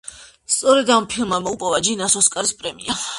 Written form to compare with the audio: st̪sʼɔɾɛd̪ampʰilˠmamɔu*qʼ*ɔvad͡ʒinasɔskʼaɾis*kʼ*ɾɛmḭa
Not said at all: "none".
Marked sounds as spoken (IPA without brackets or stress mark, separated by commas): pʼ, pʼ